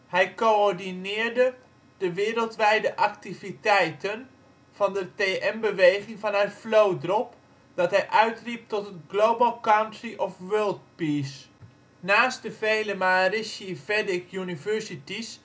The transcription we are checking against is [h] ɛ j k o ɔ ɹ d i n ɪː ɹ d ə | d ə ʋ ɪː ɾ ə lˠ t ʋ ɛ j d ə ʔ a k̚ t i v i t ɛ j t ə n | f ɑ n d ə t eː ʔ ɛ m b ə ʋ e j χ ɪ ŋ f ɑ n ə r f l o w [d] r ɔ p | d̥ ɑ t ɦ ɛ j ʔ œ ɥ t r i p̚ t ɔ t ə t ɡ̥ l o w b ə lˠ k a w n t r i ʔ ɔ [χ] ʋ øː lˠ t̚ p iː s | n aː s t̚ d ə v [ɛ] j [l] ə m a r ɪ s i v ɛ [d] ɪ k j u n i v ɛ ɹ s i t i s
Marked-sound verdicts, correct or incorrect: correct, correct, incorrect: f, incorrect: e, correct, correct

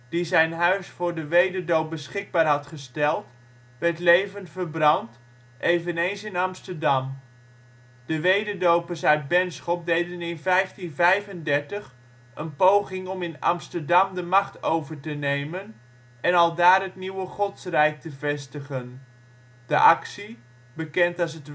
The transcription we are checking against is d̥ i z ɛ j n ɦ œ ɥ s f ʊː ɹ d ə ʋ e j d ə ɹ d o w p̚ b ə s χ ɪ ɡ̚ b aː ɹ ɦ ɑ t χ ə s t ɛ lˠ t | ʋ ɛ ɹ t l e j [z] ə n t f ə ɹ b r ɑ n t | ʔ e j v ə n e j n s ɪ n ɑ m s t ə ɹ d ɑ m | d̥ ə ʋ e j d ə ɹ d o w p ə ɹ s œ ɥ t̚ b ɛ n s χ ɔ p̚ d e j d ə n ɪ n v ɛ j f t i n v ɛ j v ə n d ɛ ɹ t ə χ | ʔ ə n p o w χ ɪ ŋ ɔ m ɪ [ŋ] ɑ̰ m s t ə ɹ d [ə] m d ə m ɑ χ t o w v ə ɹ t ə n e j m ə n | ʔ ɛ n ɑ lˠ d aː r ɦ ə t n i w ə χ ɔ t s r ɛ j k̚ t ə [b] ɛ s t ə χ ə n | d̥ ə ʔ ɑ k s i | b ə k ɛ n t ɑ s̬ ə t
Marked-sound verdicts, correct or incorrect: incorrect: v, incorrect: n, incorrect: ɑ, incorrect: v

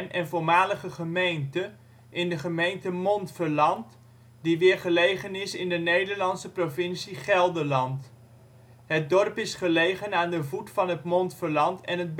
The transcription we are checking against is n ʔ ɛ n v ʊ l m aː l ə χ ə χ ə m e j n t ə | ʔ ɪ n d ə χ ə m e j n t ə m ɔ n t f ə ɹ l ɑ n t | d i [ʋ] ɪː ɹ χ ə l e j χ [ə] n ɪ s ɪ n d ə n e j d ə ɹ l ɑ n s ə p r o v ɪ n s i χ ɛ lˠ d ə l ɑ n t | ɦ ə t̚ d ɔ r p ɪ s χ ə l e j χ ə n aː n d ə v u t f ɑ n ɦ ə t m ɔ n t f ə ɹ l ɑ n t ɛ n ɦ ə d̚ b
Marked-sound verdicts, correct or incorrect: correct, correct

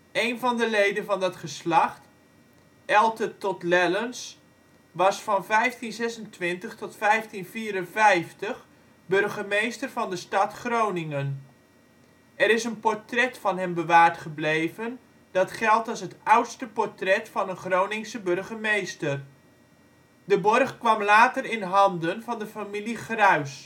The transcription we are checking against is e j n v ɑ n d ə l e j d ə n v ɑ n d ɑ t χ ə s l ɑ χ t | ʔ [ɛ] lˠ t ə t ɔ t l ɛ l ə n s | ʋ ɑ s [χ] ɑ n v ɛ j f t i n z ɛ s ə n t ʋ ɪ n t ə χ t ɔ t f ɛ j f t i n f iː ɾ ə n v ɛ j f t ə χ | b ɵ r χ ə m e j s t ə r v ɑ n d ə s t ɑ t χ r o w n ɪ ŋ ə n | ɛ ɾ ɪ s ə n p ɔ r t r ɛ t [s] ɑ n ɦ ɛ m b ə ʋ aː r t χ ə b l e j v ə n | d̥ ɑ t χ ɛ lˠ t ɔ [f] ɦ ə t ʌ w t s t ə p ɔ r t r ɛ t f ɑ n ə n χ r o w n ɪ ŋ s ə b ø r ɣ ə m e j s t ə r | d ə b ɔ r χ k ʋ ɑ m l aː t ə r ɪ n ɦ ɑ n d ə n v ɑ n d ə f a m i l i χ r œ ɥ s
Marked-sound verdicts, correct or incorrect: correct, incorrect: f, incorrect: f, incorrect: s

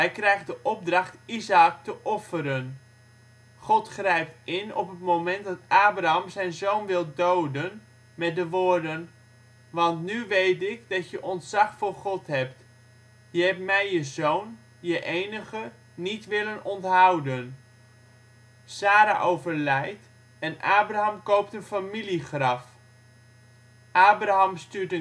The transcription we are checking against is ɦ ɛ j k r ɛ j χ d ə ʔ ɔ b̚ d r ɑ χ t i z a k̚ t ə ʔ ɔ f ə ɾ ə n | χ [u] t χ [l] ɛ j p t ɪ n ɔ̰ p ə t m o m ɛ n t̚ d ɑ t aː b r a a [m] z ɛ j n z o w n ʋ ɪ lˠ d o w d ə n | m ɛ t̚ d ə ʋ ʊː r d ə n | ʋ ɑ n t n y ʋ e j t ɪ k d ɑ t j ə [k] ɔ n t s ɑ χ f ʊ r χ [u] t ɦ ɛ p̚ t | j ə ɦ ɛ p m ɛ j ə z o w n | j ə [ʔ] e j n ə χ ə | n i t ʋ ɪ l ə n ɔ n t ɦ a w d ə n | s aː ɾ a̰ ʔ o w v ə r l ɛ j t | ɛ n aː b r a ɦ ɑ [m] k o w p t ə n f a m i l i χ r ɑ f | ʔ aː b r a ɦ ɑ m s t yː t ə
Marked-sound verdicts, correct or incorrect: incorrect: ɔ, incorrect: r, correct, incorrect: ʔ, incorrect: ɔ, correct, correct

